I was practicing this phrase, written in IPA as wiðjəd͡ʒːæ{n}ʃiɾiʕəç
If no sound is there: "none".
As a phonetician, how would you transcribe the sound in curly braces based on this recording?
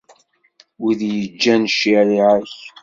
n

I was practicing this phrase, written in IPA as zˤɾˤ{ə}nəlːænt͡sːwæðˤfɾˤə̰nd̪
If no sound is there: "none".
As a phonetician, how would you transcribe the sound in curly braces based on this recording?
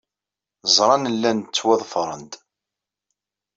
ɑ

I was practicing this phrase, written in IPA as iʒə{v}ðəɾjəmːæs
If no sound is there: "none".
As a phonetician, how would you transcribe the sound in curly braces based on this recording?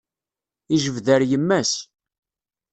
v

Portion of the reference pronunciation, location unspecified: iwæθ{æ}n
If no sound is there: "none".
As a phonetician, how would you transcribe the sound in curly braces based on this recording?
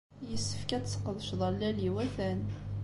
æ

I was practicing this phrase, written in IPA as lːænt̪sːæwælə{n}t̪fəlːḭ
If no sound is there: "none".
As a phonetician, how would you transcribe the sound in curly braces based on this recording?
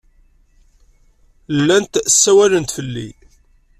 n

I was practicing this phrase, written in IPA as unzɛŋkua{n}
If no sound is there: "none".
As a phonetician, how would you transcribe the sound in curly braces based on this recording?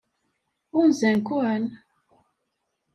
n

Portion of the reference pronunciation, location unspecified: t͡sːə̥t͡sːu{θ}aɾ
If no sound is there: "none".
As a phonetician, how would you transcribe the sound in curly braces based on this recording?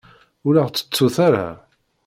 θ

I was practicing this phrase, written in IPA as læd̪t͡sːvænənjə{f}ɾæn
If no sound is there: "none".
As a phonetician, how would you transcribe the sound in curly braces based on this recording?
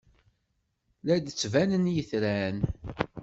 θ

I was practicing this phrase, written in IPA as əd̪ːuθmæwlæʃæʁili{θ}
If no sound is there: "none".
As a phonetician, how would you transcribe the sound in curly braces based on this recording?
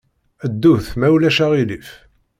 f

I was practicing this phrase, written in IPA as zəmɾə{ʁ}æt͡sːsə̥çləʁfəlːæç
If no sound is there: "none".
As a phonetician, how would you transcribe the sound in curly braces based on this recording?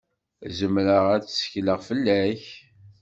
ʁ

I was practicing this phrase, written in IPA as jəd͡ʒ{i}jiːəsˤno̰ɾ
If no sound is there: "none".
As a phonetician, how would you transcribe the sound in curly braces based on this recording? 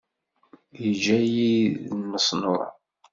æ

